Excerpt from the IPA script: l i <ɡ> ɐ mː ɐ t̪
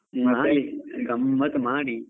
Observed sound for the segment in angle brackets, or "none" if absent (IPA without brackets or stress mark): ɡ